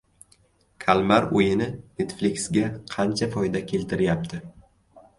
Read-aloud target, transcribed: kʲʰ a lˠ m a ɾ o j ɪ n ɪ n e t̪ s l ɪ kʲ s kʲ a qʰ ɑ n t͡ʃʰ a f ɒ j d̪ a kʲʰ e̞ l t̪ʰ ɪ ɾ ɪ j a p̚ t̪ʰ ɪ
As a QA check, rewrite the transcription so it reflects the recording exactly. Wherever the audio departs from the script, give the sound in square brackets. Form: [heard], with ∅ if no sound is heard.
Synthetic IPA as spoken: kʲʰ a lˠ m a ɾ o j ɪ n ɪ n e t̪ [f] l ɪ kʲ s [ɡʲ] a qʰ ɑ n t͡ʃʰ a f ɒ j d̪ a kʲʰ e̞ l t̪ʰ ɪ ɾ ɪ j a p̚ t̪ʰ ɪ

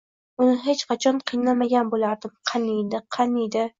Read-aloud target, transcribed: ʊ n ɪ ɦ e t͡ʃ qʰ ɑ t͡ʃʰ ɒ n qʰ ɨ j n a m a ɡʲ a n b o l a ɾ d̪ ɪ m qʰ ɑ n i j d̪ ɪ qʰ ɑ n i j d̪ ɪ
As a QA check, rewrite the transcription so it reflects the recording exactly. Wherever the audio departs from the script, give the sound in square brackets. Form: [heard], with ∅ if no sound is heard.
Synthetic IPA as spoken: ʊ n ɪ ɦ e t͡ʃ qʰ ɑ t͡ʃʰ ɒ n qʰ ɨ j n a m a ɡʲ a n b o l a ɾ d̪ ɪ m qʰ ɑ n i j d̪ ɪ qʰ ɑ n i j d̪ ɪ

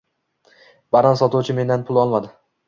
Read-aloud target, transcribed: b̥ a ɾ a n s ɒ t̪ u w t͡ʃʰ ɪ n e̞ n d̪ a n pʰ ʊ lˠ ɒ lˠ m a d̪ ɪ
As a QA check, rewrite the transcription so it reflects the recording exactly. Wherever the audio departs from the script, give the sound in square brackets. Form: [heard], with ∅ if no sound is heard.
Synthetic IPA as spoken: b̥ a ɾ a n s ɒ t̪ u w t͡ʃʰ ɪ [m] e̞ n d̪ a n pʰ ʊ lˠ ɒ lˠ m a d̪ ɪ

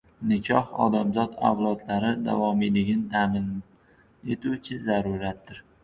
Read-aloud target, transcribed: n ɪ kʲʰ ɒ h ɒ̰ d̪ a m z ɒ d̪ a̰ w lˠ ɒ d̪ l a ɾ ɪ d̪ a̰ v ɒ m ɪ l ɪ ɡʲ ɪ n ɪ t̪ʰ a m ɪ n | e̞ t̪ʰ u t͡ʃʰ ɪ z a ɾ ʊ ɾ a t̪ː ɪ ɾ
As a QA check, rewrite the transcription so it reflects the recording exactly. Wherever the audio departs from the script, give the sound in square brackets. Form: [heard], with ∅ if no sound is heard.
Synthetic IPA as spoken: n ɪ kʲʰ ɒ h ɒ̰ d̪ a m z ɒ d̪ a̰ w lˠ ɒ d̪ l a ɾ ɪ d̪ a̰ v ɒ m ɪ l ɪ ɡʲ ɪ n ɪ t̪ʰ a m ɪ n | e̞ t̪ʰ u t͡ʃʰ ɪ z a ɾ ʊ ɾ a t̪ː ɪ ɾ

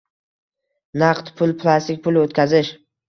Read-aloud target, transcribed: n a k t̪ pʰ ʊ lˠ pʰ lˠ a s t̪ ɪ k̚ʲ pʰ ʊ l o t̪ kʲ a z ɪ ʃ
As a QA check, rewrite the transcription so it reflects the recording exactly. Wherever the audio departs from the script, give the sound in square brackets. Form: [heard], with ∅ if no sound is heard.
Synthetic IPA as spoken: n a [q] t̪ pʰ ʊ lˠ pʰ lˠ a s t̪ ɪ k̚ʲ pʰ ʊ l o t̪ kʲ a z ɪ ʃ

